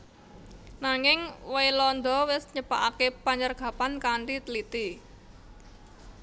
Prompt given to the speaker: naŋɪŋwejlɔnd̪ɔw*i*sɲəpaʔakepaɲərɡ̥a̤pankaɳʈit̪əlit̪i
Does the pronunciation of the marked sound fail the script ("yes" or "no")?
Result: yes